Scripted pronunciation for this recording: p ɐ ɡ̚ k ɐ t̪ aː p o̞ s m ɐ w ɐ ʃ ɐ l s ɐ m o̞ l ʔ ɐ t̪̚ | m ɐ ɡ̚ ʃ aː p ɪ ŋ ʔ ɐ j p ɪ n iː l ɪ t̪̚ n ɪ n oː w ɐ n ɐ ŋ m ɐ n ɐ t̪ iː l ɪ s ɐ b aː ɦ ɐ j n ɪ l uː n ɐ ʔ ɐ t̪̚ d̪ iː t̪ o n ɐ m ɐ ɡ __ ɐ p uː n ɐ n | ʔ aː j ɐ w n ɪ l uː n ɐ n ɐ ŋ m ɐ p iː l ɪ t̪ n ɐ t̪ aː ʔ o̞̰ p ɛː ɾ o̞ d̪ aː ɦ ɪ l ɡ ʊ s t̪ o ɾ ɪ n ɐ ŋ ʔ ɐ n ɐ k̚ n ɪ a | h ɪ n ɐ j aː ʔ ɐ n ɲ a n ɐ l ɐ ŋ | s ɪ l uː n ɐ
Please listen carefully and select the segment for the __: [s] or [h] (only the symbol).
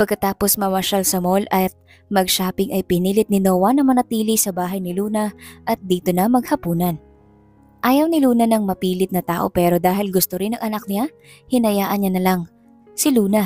h